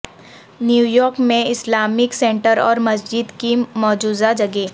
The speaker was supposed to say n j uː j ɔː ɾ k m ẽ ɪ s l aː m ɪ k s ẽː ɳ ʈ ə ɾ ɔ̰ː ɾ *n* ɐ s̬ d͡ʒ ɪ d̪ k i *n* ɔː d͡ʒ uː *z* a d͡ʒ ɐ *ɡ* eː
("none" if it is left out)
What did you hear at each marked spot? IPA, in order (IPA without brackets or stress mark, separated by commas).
m, m, z, ɡ